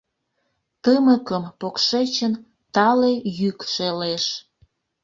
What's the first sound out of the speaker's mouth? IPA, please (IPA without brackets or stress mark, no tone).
t̪